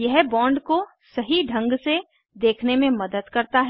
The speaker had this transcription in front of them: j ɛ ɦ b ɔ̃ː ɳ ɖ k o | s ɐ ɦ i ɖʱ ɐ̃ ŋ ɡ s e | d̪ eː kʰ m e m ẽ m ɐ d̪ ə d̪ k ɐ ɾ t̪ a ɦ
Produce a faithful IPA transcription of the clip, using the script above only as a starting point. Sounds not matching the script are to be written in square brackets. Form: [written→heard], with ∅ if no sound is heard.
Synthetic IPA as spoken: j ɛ ɦ b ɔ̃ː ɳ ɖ k o | s ɐ ɦ i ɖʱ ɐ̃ ŋ ɡ s e | d̪ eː kʰ [m→n] e m ẽ m ɐ d̪ ə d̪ k ɐ ɾ t̪ a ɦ